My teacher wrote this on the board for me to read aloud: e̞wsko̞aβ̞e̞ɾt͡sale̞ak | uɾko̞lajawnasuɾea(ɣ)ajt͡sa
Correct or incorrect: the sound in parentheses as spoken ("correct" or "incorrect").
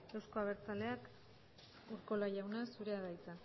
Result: incorrect